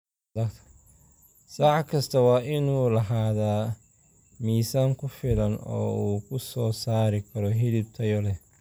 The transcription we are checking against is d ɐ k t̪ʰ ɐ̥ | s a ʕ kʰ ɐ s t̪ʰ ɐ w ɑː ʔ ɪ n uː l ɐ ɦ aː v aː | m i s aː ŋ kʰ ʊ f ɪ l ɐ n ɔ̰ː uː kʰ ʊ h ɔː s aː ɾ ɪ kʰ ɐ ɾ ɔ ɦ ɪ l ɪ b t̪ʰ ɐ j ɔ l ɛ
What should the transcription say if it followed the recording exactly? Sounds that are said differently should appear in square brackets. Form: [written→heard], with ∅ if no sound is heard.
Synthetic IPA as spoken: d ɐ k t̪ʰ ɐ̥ | s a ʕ kʰ ɐ s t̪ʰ ɐ w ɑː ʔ ɪ n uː l ɐ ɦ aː [v→ð] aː | m [i→iː] s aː ŋ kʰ ʊ f ɪ l ɐ n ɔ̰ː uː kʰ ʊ [h→s] ɔː s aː ɾ ɪ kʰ ɐ ɾ ɔ ɦ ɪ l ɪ b t̪ʰ ɐ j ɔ l ɛ